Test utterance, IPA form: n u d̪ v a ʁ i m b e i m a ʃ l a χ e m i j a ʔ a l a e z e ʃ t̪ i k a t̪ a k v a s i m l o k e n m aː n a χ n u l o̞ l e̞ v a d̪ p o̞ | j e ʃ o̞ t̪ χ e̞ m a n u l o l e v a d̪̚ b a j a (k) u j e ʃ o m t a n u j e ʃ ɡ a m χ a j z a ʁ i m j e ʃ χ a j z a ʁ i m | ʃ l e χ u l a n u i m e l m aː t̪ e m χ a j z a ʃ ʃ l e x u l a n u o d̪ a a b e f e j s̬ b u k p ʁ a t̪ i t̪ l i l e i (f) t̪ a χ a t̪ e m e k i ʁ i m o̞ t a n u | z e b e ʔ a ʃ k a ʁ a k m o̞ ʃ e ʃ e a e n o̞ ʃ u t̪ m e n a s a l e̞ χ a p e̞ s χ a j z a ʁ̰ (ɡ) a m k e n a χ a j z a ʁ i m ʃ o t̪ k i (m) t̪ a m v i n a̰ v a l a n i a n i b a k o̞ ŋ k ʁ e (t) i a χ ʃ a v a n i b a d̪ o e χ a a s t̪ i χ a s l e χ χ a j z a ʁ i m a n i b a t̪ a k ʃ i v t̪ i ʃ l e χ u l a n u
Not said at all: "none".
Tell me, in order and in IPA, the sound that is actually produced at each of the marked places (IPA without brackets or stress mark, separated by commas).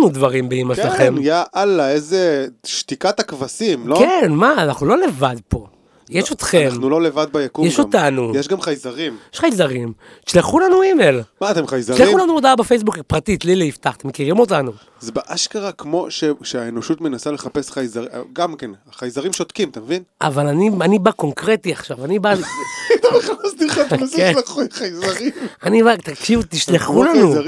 k, f, ɡ, m, t